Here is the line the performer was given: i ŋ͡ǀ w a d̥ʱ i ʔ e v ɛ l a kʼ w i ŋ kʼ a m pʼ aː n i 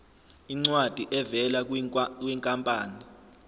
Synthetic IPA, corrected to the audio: i ŋ͡ǀ w a d̥ʱ i ʔ ɛ v ɛ l a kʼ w i ŋ kʼ a m pʼ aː n i